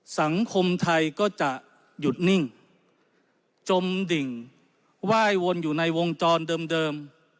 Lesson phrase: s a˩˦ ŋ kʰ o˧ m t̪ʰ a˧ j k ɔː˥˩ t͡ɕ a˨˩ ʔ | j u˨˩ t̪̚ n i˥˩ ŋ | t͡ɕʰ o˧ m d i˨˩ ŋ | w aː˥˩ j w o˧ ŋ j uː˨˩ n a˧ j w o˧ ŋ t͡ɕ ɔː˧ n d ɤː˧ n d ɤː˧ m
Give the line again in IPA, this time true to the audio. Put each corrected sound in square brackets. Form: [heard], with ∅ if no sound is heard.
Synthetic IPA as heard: s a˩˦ ŋ kʰ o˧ m t̪ʰ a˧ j k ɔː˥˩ t͡ɕ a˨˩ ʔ | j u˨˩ t̪̚ n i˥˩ ŋ | [t͡ɕ] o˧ m d i˨˩ ŋ | w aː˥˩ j w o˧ [n] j uː˨˩ n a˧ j w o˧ ŋ t͡ɕ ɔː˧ n d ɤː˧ [m] d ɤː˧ m